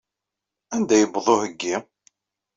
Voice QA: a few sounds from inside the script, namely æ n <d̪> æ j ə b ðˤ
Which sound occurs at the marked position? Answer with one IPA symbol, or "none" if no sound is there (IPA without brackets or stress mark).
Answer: d̪